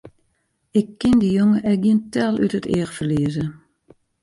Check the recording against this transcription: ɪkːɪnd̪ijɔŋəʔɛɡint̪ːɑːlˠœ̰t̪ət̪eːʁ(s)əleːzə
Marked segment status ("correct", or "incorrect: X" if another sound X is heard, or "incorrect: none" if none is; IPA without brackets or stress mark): incorrect: f